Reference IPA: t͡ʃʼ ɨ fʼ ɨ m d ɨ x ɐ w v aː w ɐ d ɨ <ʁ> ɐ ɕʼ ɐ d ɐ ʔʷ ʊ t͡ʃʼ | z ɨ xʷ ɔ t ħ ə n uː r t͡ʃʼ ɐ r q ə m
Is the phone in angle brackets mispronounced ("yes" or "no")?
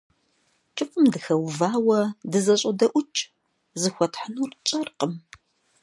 yes